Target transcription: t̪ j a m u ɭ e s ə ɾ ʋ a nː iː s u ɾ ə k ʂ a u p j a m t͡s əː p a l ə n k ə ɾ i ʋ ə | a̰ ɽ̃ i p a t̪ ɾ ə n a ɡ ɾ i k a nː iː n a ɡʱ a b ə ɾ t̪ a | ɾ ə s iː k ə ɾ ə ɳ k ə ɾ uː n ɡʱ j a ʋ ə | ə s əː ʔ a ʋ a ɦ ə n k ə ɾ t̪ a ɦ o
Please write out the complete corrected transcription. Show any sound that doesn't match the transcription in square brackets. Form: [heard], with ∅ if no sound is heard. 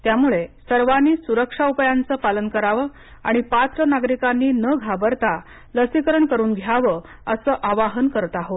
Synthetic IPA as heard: t̪ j a m u ɭ e s ə ɾ ʋ a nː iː s u ɾ ə k ʂ a u p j a [n] t͡s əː p a l ə n k ə ɾ [a] ʋ ə | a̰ ɽ̃ i p a t̪ ɾ ə n a ɡ ɾ i k a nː iː n [ə] ɡʱ a b ə ɾ t̪ a | [l] ə s [i] k ə ɾ ə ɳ k ə ɾ uː n ɡʱ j a ʋ ə | ə s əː ʔ a ʋ a ɦ ə n k ə ɾ t̪ a ɦ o